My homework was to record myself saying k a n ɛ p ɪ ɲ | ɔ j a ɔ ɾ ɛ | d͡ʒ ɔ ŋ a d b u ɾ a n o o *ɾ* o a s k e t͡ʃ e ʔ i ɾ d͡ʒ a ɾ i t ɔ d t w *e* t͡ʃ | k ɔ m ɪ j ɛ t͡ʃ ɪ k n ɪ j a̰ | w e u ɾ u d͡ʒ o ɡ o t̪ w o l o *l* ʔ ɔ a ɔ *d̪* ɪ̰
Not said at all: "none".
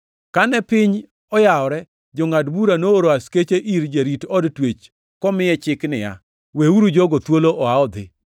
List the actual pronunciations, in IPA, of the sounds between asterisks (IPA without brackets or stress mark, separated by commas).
ɾ, e, none, d̪